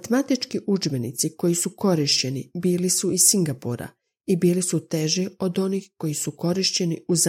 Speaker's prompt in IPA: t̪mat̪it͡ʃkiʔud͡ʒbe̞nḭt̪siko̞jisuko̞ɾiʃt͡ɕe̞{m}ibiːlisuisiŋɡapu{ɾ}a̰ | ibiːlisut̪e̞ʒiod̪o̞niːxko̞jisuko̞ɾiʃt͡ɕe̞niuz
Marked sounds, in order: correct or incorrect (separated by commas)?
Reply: incorrect, correct